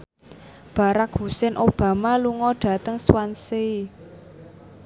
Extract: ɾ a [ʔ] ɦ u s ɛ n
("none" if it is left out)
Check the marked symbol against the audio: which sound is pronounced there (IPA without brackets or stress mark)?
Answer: k